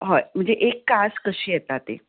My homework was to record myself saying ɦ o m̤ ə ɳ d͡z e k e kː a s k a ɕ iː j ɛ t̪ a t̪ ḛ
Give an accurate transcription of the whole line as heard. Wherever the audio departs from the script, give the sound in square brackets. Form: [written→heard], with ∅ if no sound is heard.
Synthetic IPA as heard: ɦ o m̤ ə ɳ d͡z e [k→ʔ] e kː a s k [a→ə] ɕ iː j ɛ t̪ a t̪ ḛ